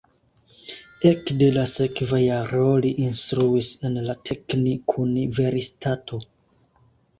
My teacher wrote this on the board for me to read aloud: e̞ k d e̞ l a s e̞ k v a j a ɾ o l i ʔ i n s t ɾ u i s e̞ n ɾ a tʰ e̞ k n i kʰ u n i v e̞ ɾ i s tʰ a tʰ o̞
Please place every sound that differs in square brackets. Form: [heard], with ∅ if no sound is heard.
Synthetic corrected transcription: e̞ k d e̞ l a s e̞ k v a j a ɾ o l i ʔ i n s t ɾ u i s e̞ n [l] a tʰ e̞ k n i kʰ u n i v e̞ ɾ i s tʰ a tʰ o̞